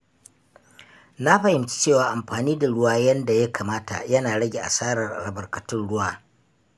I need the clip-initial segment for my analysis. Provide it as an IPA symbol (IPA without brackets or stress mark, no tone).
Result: n